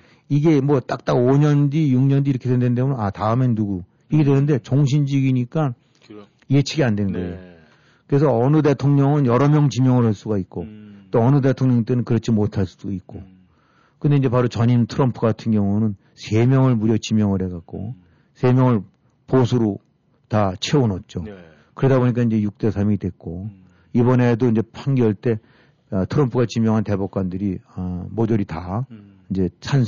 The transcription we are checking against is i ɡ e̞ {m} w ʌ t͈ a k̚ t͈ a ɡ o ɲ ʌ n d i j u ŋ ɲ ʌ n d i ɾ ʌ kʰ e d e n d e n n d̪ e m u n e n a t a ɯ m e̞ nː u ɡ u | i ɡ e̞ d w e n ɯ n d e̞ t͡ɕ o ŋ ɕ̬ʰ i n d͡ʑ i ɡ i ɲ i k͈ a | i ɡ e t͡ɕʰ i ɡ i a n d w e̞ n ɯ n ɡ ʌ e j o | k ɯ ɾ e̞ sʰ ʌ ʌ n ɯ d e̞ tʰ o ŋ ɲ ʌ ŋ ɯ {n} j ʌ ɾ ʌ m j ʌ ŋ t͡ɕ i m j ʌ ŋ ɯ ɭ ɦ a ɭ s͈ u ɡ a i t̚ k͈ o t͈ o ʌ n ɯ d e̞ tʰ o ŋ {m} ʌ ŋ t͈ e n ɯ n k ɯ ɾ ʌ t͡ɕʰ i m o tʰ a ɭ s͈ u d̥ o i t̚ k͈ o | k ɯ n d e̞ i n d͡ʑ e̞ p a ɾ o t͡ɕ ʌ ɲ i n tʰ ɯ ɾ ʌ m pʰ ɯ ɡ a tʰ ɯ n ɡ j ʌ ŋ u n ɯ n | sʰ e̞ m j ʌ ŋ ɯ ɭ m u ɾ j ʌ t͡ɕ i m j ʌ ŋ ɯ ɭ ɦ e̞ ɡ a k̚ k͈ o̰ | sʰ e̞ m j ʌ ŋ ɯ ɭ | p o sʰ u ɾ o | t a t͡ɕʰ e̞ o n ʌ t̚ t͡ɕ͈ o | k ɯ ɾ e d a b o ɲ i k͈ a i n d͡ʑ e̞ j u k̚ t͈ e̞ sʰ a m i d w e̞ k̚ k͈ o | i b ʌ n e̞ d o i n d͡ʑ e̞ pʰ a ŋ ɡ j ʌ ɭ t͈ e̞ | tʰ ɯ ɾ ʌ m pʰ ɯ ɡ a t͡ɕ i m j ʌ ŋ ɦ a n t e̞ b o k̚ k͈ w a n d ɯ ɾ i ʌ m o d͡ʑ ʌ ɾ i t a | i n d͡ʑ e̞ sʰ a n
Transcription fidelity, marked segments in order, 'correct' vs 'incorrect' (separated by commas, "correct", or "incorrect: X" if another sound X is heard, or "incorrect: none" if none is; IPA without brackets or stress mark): correct, correct, incorrect: ɲ